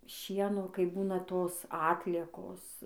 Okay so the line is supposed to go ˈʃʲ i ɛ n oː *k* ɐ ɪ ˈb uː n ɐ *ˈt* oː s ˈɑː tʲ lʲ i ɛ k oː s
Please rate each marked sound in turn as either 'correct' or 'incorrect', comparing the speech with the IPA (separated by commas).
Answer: correct, correct